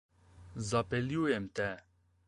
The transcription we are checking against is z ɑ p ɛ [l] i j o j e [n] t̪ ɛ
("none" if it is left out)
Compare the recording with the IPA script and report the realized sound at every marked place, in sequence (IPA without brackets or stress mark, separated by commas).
l, m